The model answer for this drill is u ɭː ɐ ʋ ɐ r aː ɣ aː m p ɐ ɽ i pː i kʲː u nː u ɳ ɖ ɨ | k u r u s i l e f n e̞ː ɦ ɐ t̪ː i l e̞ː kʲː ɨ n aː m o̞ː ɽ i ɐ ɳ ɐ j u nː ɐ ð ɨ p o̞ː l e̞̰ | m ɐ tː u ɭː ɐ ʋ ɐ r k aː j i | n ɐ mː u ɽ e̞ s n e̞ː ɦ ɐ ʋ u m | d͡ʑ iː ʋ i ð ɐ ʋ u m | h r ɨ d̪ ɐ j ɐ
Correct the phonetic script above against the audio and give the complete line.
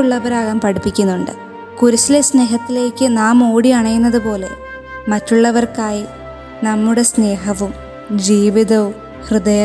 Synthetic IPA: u ɭː ɐ ʋ ɐ ɾ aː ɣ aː m p ɐ ɽ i pː i kʲː u nː u ɳ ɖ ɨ | k u ɾ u s i l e s n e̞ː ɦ ɐ t̪ː i l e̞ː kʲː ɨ n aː m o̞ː ɽ i ɐ ɳ ɐ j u nː ɐ ð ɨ p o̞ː l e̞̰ | m ɐ tː u ɭː ɐ ʋ ɐ r k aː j i | n ɐ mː u ɽ e̞ s n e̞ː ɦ ɐ ʋ u m | d͡ʑ iː ʋ i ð ɐ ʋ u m | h r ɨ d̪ ɐ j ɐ